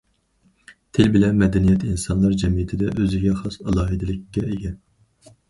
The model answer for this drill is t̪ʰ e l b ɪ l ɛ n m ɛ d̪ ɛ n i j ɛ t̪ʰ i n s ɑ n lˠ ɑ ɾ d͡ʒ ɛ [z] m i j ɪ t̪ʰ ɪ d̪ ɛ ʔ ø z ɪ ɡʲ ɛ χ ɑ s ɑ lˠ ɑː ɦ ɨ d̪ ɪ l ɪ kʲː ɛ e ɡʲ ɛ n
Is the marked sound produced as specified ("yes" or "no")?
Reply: no